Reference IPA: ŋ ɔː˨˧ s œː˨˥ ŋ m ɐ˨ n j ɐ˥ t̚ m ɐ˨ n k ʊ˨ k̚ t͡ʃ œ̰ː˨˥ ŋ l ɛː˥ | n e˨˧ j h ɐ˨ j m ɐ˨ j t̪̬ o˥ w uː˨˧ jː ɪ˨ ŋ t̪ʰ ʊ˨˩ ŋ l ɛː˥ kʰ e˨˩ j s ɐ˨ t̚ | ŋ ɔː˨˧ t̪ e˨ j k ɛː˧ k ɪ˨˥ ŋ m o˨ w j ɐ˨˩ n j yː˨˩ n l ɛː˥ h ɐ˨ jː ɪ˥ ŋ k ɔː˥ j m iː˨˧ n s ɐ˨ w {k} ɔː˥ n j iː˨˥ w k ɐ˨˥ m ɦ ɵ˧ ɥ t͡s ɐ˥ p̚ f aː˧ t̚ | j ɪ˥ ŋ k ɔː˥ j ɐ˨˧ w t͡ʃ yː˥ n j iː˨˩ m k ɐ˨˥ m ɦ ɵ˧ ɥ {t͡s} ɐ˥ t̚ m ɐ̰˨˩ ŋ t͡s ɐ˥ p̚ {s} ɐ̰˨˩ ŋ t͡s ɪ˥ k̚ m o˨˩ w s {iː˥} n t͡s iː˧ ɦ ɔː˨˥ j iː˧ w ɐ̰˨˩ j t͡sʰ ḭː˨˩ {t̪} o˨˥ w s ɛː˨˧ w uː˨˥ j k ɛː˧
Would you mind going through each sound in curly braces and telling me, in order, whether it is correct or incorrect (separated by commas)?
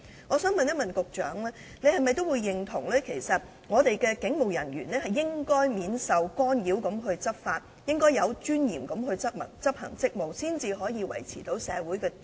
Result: correct, correct, incorrect, correct, correct